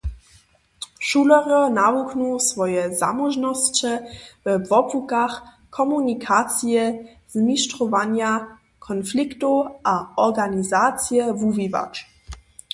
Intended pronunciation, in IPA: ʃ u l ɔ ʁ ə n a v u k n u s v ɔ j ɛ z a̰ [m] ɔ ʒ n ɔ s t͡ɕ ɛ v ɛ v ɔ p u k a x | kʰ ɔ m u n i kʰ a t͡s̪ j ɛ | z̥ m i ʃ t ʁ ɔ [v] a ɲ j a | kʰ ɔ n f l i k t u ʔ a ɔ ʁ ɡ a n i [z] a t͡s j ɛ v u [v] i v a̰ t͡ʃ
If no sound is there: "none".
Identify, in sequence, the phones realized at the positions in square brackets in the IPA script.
m, v, z, v

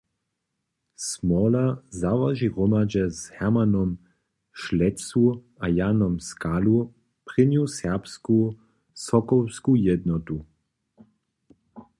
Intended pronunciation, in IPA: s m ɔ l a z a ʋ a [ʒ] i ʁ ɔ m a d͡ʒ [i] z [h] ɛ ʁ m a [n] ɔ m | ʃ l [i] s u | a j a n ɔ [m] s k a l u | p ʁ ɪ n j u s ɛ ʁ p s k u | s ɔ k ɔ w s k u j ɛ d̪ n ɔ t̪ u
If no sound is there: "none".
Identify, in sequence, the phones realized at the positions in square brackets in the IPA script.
ʒ, ɛ, h, n, ɛ, m

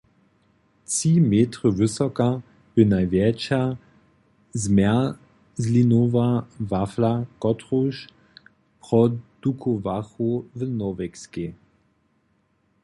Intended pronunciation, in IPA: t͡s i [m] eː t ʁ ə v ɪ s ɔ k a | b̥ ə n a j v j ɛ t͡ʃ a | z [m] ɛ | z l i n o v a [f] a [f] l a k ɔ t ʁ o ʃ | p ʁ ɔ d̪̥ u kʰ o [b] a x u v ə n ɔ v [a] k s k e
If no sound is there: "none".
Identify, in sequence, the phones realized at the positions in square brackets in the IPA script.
m, m, v, f, v, ɛ

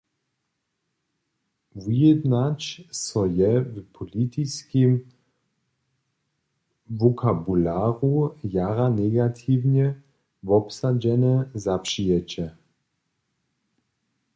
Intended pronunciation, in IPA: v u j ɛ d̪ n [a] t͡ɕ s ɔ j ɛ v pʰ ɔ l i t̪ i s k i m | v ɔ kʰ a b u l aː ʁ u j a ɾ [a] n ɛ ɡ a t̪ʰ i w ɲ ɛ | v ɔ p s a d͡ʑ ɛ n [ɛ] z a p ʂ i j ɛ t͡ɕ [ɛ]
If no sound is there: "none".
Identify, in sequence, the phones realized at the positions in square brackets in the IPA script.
a, a, ɛ, ɛ

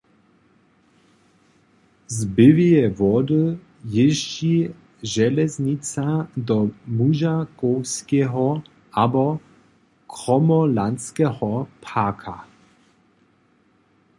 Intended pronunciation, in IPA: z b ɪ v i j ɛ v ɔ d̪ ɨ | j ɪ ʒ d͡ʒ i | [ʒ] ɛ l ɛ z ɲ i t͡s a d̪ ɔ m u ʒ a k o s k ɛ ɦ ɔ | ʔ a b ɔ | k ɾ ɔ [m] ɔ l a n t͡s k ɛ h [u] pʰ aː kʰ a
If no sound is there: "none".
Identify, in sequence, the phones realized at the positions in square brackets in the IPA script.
ʒ, m, ɔ

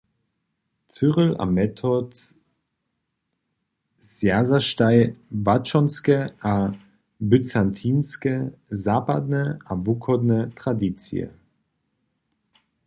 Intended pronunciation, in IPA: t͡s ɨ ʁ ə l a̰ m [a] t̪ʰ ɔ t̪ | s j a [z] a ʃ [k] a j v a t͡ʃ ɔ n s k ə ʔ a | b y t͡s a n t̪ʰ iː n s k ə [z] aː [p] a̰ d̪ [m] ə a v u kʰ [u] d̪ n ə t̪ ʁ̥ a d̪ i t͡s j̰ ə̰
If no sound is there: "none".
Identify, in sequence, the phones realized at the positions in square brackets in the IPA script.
ɛ, z, t, z, p, n, ɔ

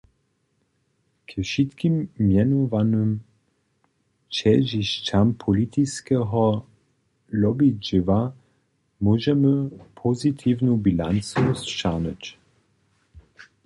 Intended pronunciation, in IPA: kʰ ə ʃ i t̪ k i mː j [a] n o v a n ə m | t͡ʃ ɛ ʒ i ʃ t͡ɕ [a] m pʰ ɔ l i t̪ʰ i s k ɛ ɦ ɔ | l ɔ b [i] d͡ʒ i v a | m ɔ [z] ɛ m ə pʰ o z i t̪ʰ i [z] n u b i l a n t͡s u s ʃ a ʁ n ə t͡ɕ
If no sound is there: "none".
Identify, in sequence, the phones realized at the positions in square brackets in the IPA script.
ɛ, a, i, ʒ, v

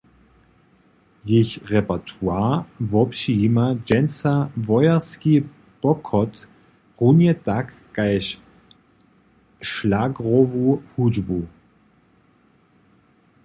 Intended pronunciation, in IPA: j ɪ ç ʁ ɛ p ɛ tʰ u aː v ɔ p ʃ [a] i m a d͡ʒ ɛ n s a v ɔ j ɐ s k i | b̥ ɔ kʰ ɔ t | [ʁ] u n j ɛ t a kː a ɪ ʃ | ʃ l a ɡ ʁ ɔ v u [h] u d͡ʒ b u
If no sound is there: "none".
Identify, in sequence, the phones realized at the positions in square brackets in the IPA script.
i, ʁ, h

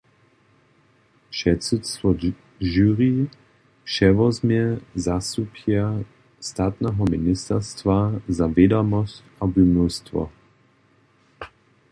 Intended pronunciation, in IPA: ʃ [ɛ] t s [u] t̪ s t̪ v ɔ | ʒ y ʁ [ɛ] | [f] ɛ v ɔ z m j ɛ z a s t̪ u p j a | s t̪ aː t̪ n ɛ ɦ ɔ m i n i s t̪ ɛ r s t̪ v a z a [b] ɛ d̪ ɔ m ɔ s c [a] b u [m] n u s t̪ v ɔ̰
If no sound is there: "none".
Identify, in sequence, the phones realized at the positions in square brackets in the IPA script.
ɛ, u, i, ʃ, v, a, m

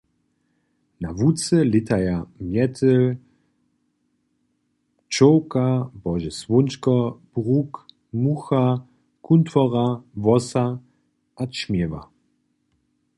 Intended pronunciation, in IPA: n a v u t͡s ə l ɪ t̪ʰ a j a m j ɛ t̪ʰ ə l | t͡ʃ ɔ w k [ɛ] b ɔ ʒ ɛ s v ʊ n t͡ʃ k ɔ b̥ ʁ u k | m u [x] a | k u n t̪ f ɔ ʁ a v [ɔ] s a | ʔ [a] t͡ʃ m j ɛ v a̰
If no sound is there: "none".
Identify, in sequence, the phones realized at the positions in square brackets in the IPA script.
a, x, ɔ, a

